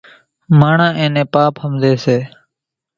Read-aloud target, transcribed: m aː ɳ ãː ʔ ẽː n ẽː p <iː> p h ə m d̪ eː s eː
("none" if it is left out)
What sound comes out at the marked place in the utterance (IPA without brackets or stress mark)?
aː